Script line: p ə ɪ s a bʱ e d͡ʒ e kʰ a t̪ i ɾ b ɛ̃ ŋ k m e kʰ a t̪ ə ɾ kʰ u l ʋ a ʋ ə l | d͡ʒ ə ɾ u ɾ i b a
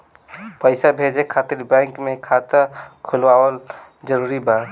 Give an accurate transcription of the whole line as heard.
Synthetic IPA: p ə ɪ s a bʱ e d͡ʒ e kʰ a t̪ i ɾ b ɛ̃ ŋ k m e kʰ a t̪ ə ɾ kʰ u l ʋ a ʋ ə l | d͡ʒ ə ɾ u ɾ i b a